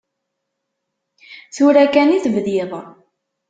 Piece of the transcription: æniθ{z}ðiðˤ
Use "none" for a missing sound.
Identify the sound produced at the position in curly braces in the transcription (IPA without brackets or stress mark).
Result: v